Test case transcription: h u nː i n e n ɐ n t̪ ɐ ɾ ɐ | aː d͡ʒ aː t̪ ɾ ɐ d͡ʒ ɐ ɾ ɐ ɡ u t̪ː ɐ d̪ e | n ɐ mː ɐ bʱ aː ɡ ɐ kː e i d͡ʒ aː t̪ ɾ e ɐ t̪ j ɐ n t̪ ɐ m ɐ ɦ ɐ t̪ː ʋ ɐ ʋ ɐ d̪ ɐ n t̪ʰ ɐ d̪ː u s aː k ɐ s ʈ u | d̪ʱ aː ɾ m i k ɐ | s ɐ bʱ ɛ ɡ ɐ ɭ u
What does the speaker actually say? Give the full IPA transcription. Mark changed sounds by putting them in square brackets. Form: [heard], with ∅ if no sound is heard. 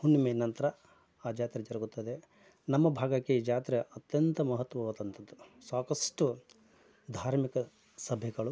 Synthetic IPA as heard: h u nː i [m] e n ɐ n t̪ ɐ ɾ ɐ | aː d͡ʒ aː t̪ ɾ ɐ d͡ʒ ɐ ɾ ɐ ɡ u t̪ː ɐ d̪ e | n ɐ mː ɐ bʱ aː ɡ ɐ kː e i d͡ʒ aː t̪ ɾ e ɐ t̪ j ɐ n t̪ ɐ m ɐ ɦ ɐ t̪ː ʋ ɐ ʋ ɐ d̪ ɐ n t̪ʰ ɐ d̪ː u s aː k ɐ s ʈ u | d̪ʱ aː ɾ m i k ɐ | s ɐ bʱ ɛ ɡ ɐ ɭ u